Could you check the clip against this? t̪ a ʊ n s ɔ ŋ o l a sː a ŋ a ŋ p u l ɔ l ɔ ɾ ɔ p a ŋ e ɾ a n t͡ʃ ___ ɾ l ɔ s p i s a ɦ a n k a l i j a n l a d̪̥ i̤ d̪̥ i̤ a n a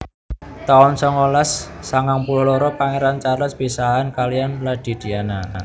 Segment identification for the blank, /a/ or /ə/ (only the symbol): a